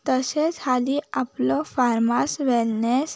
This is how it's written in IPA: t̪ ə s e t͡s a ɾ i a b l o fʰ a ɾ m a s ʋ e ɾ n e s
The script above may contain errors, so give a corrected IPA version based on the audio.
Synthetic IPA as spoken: t̪ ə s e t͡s a l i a p l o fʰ a ɾ m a s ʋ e l n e s